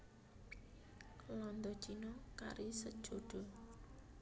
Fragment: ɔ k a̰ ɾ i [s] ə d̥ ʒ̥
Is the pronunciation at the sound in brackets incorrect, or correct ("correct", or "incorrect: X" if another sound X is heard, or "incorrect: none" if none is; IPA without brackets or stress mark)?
correct